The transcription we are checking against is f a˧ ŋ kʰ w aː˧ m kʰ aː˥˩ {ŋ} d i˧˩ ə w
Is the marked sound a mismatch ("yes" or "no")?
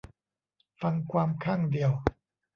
no